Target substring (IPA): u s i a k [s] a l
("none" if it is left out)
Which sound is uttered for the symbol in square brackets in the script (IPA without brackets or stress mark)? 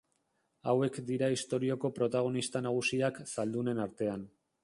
s